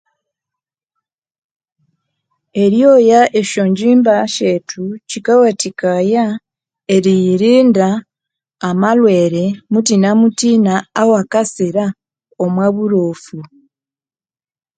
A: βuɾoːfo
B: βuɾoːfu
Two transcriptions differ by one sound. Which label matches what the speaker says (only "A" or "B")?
B